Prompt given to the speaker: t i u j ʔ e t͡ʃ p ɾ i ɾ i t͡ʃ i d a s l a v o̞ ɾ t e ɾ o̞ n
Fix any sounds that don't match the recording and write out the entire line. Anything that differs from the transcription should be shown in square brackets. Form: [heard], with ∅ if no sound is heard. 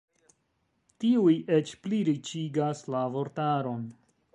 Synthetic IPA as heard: t i u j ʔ e t͡ʃ p [l] i ɾ i t͡ʃ i [ɡ] a s l a v o̞ ɾ t [a] ɾ o̞ n